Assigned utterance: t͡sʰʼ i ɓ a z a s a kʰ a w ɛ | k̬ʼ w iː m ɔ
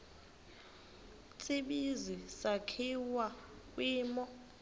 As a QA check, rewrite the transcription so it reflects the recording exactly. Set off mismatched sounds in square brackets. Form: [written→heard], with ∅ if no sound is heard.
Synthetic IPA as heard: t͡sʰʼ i ɓ [a→i] z [a→i] s a kʰ [a→i] w [ɛ→a] | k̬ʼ w iː m ɔ